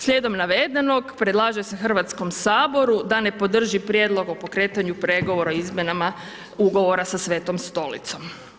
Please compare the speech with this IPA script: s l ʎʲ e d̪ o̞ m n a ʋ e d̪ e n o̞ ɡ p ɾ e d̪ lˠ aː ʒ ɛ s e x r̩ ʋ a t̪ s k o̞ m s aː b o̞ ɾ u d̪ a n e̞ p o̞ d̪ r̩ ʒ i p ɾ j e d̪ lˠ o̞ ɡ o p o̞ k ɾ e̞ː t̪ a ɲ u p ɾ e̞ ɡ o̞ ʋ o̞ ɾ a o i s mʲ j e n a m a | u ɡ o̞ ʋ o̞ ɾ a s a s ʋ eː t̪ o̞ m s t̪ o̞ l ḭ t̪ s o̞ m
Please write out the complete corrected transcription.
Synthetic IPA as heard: s l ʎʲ e d̪ o̞ m n a ʋ e d̪ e n o̞ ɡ p ɾ e d̪ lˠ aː ʒ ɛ s e x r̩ ʋ a t̪ s k o̞ m s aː b o̞ ɾ u d̪ a n e̞ p o̞ d̪ r̩ ʒ i p ɾ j e d̪ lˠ o̞ ɡ o p o̞ k ɾ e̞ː t̪ a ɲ u p ɾ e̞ ɡ o̞ ʋ o̞ ɾ a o i z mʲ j e n a m a | u ɡ o̞ ʋ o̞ ɾ a s a s ʋ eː t̪ o̞ m s t̪ o̞ l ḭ t̪ s o̞ m